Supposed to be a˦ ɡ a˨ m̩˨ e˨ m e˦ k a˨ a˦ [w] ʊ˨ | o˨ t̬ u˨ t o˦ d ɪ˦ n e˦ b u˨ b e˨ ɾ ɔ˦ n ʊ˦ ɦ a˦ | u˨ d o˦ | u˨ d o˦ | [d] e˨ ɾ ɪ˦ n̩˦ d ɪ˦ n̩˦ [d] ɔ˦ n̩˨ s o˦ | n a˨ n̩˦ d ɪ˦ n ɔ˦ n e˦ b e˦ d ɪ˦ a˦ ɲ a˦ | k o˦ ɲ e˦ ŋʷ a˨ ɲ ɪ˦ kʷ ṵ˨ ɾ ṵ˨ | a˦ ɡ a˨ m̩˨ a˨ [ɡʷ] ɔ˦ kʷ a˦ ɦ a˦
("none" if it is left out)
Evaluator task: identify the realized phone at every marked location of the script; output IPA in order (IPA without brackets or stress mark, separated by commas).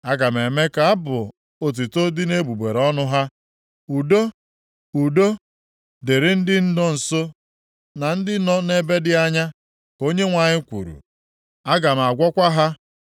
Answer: b, d, d, ɡʷ